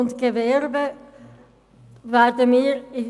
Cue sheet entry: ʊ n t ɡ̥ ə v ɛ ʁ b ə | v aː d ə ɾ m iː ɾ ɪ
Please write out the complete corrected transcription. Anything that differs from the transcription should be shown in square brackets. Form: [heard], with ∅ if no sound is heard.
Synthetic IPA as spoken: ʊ n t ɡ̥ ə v ɛ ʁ b ə | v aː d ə [∅] m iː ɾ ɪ